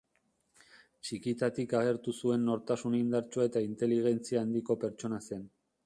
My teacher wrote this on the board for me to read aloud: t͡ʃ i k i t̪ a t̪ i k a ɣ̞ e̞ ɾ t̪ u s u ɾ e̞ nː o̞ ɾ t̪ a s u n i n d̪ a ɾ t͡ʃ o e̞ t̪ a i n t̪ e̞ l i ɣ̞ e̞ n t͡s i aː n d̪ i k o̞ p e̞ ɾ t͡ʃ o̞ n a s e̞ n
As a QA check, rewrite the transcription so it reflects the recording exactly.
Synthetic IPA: t͡ʃ i k i t̪ a t̪ i k a ɣ̞ e̞ ɾ t̪ u s u e̞ nː o̞ ɾ t̪ a s u n i n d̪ a ɾ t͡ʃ o e̞ t̪ a i n t̪ e̞ l i ɣ̞ e̞ n t͡s i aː n d̪ i k o̞ p e̞ ɾ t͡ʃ o̞ n a s e̞ n